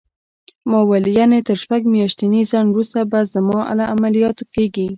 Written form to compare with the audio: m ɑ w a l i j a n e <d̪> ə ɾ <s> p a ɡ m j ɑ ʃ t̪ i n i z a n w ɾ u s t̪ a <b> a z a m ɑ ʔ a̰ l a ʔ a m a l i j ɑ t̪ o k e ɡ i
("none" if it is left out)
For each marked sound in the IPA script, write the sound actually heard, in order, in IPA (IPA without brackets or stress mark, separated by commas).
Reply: t̪, ʃ, b